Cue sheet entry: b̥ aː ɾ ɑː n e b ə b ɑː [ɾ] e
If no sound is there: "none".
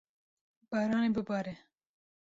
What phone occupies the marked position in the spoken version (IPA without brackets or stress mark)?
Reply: ɾ